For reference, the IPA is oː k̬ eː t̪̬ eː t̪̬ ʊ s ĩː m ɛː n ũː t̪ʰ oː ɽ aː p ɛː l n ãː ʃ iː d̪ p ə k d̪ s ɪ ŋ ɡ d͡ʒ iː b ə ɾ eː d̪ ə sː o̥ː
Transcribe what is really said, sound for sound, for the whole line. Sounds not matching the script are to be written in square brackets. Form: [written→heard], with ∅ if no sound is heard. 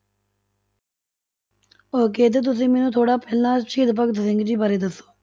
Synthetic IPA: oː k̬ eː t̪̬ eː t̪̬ ʊ s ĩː m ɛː n ũː t̪ʰ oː ɽ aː p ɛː l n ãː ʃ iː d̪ p ə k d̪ s ɪ ŋ ɡ d͡ʒ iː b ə ɾ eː d̪ ə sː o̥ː